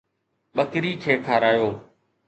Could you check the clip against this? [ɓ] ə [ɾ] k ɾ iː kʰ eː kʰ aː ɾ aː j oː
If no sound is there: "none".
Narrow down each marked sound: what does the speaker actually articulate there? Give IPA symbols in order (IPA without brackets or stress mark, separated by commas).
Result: ɓ, none